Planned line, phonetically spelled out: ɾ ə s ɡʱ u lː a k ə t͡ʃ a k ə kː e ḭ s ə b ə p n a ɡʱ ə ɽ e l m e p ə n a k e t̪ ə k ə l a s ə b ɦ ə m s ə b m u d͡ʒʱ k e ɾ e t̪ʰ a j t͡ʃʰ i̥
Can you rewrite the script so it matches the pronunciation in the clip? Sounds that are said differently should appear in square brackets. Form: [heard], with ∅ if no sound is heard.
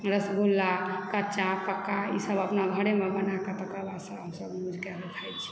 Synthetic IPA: ɾ ə s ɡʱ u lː a k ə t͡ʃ a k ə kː [a] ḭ s ə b ə p n a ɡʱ ə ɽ e [∅] m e [b] ə n a k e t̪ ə k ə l a s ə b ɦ ə m s ə b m u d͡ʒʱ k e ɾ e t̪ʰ a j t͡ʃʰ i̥

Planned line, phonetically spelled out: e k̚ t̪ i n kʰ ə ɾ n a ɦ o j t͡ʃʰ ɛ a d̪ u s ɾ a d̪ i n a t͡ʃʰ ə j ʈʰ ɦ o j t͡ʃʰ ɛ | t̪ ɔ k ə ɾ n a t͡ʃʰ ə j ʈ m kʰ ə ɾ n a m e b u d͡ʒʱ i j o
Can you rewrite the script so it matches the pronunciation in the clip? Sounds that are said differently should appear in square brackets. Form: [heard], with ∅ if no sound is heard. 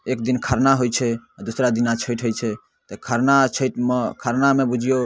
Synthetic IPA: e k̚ [d̪] i n kʰ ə ɾ n a ɦ o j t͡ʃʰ ɛ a d̪ u s ɾ a d̪ i n a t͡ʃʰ ə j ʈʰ ɦ o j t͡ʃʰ ɛ | t̪ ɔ [kʰ] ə ɾ n a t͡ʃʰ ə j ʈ m kʰ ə ɾ n a m e b u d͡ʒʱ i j o

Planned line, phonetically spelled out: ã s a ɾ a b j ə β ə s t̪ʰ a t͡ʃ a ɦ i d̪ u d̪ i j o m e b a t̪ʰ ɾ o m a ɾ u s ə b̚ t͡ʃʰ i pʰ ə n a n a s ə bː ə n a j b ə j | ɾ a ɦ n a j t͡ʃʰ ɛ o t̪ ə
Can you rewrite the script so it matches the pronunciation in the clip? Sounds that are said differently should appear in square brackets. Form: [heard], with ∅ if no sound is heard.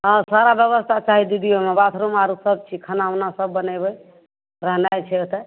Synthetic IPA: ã s a ɾ a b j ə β ə s t̪ʰ a t͡ʃ a ɦ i d̪ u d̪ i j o m e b a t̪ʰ ɾ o m a ɾ u s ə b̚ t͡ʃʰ i [kʰ] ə n a n a s ə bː ə n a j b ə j | ɾ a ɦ n a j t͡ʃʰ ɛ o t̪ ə

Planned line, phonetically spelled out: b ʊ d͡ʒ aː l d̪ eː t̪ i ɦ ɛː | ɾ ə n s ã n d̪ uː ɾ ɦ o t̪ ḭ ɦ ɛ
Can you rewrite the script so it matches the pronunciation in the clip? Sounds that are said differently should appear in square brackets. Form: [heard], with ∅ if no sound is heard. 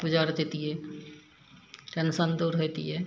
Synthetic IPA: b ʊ d͡ʒ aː [ɾ] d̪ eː t̪ i ɦ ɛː | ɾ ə n s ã n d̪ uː ɾ ɦ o t̪ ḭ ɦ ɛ

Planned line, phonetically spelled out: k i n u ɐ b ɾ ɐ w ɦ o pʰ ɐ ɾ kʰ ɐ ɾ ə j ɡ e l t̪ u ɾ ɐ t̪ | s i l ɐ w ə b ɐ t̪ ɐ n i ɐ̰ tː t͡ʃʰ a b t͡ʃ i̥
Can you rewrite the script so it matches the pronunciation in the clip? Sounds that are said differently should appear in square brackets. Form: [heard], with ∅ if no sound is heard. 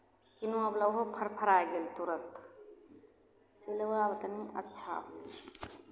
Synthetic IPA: k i n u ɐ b [l] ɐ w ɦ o pʰ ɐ ɾ [pʰ] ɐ ɾ [a] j ɡ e l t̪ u ɾ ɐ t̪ | s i l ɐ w [a] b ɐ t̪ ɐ n i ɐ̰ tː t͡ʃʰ a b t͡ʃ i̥

